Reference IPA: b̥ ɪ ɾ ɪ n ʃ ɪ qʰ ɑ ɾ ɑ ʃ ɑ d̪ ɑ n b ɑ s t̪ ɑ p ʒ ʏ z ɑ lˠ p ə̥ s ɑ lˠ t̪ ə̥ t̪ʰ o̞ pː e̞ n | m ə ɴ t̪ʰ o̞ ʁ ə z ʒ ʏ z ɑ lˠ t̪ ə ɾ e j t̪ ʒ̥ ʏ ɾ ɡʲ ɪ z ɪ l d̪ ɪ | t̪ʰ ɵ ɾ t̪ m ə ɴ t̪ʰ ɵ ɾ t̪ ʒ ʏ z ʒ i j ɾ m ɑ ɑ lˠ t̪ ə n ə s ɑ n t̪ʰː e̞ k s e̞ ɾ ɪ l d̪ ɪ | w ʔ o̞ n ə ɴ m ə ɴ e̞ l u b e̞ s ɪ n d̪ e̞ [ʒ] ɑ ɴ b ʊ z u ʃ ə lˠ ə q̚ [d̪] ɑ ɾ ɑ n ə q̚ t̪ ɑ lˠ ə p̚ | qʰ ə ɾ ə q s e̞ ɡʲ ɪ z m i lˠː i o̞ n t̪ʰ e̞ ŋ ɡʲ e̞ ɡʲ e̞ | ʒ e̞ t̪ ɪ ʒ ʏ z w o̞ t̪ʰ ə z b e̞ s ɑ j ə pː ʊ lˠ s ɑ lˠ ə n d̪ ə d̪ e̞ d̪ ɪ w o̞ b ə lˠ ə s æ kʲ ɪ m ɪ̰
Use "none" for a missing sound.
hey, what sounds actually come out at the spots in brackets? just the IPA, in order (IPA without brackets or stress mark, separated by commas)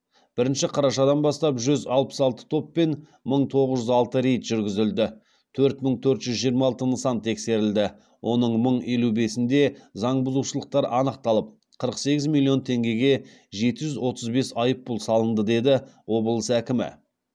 z, t̪